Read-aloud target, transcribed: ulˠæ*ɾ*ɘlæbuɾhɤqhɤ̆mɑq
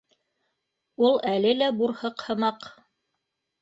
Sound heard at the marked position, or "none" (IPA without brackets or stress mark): l